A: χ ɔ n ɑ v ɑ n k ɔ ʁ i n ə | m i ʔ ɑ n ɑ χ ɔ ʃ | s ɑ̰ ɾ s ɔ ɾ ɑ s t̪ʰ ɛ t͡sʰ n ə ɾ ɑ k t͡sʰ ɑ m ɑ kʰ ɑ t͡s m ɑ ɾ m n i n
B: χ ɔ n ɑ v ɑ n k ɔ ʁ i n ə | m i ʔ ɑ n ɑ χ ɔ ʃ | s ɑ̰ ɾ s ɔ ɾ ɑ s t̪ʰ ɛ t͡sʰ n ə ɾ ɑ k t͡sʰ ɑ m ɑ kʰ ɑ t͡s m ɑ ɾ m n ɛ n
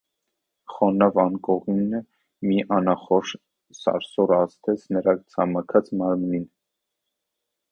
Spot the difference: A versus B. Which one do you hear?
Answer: A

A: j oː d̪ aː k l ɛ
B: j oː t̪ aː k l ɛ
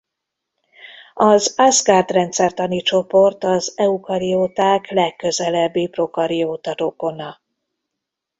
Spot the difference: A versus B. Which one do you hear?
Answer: B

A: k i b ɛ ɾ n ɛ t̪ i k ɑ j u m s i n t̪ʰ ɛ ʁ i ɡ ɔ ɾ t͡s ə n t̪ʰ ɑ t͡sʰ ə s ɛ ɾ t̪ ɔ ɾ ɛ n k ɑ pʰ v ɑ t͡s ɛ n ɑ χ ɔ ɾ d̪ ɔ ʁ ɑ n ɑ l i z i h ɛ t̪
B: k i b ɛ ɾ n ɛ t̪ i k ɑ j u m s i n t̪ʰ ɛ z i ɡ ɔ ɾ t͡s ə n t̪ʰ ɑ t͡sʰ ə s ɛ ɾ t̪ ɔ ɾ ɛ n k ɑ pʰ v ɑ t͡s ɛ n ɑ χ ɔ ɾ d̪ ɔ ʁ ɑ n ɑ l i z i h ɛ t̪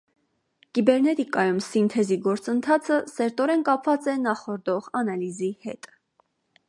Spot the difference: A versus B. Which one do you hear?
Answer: B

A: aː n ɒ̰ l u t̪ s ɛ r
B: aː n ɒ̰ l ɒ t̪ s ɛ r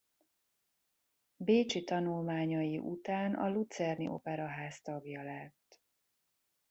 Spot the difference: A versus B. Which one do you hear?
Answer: A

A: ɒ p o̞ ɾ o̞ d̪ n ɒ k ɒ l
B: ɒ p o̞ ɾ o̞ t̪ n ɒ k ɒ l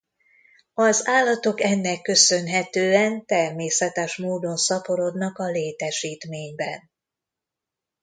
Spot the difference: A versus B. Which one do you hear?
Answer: A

